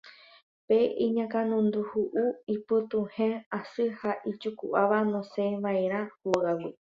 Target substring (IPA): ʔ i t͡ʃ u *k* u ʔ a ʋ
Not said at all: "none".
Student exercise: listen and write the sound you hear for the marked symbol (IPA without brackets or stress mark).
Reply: k